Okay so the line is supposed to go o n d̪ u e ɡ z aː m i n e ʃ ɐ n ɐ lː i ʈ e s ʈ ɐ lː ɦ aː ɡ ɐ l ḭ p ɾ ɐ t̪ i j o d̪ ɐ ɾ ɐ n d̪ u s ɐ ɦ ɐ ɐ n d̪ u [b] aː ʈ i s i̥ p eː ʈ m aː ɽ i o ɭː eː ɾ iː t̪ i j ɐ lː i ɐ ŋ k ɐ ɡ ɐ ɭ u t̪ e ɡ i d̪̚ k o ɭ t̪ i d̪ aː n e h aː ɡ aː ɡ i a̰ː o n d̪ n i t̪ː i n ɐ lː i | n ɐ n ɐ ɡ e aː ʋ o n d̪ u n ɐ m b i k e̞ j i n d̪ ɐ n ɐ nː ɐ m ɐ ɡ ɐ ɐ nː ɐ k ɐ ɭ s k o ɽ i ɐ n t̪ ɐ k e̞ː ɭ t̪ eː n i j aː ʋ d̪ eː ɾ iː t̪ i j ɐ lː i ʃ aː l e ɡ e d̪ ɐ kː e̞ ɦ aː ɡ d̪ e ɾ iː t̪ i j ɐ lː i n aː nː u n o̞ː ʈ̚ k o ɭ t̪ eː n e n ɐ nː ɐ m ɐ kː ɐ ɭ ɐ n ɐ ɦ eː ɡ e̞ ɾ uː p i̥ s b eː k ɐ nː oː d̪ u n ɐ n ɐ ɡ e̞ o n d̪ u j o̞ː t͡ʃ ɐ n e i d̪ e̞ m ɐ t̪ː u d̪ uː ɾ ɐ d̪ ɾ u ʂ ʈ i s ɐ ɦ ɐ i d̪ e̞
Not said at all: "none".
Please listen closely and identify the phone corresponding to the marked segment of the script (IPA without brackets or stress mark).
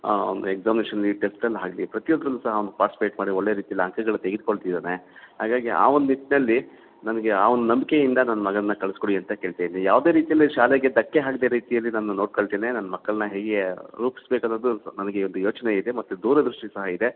p